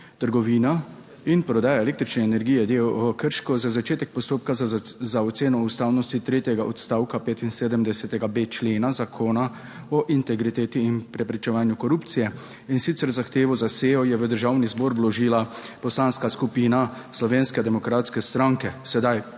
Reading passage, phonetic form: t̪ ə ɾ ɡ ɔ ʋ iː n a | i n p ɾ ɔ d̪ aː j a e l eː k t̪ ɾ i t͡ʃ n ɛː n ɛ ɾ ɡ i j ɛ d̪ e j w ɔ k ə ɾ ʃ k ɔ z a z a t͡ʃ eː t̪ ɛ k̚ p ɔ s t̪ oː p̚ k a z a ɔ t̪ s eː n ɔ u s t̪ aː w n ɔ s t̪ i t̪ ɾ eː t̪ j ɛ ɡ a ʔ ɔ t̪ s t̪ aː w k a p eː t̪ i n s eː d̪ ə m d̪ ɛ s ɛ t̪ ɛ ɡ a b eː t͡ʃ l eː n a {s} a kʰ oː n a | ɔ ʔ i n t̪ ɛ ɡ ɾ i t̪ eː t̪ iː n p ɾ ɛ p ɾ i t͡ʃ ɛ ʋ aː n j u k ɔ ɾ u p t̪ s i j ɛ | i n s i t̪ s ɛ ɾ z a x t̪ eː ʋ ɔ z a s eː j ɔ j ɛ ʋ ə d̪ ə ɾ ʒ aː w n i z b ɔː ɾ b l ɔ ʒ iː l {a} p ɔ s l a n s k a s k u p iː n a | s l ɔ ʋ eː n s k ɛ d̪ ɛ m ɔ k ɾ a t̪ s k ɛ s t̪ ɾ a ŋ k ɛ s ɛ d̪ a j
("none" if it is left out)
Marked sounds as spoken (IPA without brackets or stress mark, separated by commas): z, a